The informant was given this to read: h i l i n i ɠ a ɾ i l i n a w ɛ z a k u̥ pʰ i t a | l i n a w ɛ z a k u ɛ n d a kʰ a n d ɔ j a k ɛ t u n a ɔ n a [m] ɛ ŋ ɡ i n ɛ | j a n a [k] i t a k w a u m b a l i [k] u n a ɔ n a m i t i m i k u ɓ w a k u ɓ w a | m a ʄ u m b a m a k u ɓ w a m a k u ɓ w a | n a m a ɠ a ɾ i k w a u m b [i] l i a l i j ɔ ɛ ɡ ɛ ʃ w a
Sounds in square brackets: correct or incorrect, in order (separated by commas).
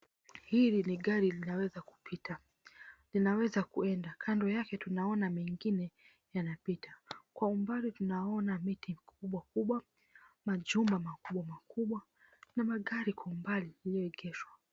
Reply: correct, incorrect, incorrect, incorrect